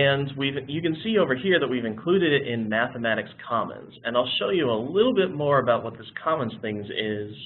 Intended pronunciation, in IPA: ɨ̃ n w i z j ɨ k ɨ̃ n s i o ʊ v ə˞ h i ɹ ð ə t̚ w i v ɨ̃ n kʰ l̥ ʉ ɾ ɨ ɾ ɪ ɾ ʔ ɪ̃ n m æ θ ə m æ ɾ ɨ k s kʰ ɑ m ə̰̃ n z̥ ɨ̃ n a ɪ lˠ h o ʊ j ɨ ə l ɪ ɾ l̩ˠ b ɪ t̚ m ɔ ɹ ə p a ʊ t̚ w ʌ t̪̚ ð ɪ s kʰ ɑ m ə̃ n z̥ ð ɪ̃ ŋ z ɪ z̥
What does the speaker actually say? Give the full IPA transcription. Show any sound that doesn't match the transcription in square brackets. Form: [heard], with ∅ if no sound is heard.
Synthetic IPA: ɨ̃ n w i [v] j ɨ k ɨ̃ n s i o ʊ v ə˞ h i ɹ ð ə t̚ w i v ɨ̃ n kʰ l̥ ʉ ɾ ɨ ɾ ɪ ɾ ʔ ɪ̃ n m æ θ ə m æ ɾ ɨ k s kʰ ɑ m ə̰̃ n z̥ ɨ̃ n a ɪ lˠ [ʃ] o ʊ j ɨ ə l ɪ ɾ l̩ˠ b ɪ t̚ m ɔ ɹ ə [b] a ʊ t̚ w ʌ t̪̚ ð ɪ s kʰ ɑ m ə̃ n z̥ [θ] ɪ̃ ŋ z ɪ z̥